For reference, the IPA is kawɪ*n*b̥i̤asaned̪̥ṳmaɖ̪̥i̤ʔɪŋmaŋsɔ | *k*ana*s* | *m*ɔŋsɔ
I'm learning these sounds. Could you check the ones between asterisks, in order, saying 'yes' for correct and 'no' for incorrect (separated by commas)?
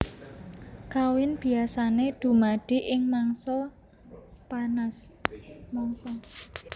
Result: yes, no, yes, yes